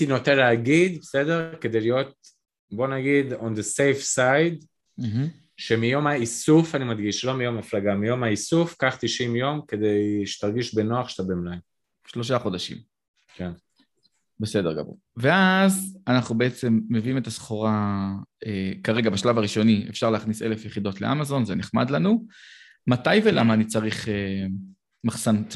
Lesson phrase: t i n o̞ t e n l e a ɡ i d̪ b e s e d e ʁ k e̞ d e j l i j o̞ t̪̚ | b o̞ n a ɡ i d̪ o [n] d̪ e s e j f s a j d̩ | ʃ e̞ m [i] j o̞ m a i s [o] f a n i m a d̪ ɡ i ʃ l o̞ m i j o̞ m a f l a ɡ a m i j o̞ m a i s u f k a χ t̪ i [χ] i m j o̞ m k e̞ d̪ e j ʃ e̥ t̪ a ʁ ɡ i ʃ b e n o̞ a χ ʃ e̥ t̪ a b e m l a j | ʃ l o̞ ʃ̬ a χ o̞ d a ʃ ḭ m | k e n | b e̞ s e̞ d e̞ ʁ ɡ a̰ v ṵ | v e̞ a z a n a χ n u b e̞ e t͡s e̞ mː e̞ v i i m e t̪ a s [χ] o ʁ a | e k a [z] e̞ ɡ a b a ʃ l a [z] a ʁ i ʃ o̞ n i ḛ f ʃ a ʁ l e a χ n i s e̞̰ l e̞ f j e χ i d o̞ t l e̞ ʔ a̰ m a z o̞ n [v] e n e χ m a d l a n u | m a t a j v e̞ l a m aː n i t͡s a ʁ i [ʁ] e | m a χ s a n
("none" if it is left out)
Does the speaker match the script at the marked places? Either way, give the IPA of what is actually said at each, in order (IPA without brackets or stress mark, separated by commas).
n, i, u, ʃ, χ, ʁ, v, z, χ